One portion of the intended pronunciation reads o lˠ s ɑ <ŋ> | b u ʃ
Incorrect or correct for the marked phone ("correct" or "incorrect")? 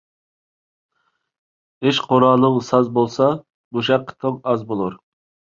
incorrect